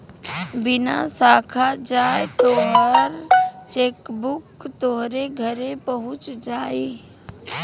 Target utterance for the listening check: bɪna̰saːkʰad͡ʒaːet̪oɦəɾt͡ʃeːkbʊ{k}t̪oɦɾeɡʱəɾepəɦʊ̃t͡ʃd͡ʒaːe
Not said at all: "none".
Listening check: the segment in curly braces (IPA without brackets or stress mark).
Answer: k